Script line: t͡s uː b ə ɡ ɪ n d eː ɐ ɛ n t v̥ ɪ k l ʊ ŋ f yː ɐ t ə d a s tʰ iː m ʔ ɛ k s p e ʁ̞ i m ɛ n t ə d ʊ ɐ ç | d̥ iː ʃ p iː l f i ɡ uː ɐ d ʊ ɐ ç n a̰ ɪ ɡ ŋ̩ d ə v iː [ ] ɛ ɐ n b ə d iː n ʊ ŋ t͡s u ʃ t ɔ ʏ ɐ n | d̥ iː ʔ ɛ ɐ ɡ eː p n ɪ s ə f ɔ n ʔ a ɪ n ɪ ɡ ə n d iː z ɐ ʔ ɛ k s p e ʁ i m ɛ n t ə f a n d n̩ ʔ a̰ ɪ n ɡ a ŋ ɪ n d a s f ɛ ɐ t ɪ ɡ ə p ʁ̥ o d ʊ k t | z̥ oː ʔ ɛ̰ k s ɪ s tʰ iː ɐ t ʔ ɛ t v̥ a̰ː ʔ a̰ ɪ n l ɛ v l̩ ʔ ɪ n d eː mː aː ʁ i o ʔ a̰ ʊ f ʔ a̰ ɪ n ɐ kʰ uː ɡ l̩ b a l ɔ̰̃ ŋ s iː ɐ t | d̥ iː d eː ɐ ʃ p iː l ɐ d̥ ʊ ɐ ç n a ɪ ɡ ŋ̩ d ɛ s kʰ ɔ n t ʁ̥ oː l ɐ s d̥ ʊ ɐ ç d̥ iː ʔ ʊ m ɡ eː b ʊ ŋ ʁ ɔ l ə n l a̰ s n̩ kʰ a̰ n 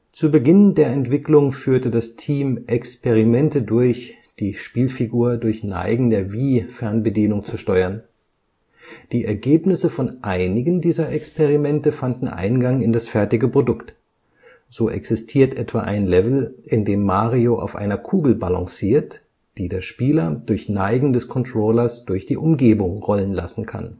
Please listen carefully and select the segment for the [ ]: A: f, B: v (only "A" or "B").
A